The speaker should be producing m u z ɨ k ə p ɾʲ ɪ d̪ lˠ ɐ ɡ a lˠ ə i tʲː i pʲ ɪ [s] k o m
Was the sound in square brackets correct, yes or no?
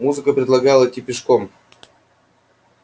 no